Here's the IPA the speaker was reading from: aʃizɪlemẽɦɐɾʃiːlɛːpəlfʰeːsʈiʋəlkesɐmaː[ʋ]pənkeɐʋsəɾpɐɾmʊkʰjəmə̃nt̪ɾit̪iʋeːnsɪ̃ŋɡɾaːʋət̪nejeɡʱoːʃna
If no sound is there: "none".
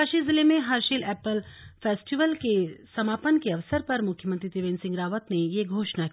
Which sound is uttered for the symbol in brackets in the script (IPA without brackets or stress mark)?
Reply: none